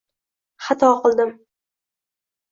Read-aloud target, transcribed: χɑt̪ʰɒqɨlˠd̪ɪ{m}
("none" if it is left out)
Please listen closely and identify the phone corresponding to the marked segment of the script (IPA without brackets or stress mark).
m